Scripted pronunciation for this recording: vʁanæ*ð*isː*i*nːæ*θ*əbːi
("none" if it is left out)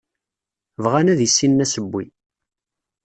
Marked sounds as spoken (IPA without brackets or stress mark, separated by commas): ð, i, s